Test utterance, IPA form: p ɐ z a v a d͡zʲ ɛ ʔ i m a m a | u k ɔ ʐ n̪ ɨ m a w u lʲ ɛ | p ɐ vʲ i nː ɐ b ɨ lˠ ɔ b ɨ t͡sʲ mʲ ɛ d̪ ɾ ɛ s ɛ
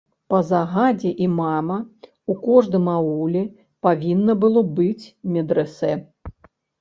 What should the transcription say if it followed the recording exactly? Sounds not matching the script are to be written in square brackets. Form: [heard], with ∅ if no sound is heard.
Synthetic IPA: p ɐ z a [ɣ] a d͡zʲ ɛ ʔ i m a m [ɐ] | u k ɔ ʐ [d̪] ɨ m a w u lʲ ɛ | p [a] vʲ i nː ɐ b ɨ lˠ ɔ b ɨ t͡sʲ mʲ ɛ d̪ ɾ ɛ s ɛ